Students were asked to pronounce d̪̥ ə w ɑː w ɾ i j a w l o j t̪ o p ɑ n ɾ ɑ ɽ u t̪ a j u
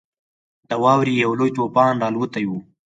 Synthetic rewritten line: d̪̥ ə w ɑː w ɾ i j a w l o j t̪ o p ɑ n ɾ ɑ l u t̪ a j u